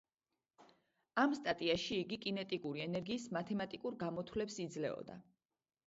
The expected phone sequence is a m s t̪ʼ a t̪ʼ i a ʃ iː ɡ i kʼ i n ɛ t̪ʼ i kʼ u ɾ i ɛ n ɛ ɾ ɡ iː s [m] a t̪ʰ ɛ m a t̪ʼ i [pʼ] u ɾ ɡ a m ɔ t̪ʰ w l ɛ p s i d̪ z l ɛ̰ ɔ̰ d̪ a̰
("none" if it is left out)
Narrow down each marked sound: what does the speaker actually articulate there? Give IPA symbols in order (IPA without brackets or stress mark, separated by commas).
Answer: m, kʼ